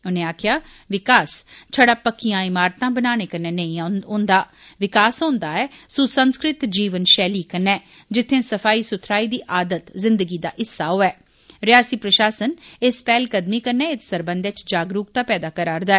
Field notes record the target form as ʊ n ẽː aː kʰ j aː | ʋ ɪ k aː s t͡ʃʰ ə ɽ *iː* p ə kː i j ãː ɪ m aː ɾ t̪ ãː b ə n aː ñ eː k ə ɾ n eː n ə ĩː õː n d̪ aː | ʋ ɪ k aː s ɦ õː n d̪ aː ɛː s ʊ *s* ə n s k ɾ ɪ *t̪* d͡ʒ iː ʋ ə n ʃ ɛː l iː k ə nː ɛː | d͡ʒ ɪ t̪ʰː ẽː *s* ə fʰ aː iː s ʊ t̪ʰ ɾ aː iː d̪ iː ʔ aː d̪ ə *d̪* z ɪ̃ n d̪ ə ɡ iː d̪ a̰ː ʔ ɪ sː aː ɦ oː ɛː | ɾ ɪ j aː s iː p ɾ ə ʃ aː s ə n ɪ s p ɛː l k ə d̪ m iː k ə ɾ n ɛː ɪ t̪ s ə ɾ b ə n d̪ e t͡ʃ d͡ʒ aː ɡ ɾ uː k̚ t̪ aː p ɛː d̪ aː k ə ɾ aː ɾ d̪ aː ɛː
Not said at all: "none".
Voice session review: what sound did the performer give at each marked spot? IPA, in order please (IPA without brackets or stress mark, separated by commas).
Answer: aː, s, t̪, s, t̪